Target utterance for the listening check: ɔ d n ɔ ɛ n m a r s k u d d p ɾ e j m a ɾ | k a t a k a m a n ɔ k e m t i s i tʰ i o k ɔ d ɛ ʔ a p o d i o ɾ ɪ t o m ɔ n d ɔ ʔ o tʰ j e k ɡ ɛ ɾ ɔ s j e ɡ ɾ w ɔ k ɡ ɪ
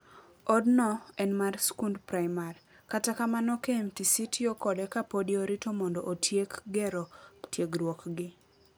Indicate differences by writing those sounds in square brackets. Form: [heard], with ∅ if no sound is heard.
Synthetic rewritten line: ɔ d n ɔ ɛ n m a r s k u [n] d p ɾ [a] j m a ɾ | k a t a k a m a n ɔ k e m t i s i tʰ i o k ɔ d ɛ [k] a p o d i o ɾ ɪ t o m ɔ n d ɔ ʔ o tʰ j e k ɡ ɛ ɾ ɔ [t] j e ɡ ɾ w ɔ k ɡ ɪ